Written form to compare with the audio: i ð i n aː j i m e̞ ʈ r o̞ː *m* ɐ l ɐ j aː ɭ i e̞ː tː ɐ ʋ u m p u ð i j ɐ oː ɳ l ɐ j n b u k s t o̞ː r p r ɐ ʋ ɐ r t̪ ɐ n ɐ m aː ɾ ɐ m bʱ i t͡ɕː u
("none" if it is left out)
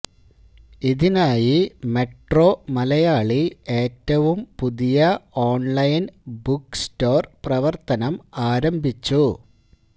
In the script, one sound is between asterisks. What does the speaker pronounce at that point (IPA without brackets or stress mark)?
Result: m